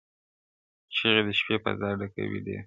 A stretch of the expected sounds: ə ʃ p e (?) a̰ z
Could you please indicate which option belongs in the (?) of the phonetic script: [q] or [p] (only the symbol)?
p